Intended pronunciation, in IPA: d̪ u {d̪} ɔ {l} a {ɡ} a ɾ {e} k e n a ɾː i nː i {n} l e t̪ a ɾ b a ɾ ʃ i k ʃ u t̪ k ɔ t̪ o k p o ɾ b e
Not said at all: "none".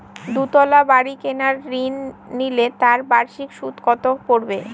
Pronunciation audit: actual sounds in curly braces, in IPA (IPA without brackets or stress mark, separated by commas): t̪, l, b, i, none